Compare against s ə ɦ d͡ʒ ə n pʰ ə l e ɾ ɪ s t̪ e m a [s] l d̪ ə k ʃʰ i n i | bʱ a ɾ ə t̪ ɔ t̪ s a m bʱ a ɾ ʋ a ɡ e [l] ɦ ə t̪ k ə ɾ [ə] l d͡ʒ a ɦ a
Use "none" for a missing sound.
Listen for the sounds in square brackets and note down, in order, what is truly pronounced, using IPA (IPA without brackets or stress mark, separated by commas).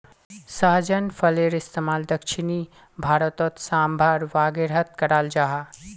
none, ɾ, a